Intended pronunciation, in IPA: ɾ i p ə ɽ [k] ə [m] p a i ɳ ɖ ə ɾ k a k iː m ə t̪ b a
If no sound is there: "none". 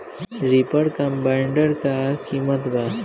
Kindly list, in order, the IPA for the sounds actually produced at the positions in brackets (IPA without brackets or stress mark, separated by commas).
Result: k, m